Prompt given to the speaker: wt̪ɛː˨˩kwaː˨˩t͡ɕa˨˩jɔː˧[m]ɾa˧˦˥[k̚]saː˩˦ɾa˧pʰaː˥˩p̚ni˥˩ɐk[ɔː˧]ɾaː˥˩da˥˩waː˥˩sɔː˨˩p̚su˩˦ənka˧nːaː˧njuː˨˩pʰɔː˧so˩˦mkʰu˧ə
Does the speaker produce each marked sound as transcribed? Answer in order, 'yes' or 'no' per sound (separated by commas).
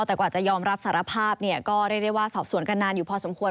yes, no, no